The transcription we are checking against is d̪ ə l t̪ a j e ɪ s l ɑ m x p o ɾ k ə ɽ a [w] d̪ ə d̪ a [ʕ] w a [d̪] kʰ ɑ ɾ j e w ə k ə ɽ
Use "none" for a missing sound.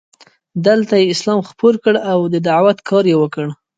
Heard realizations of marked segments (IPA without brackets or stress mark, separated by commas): w, ʕ, t̪